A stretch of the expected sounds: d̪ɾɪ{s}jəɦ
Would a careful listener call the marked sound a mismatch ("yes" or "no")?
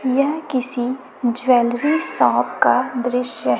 yes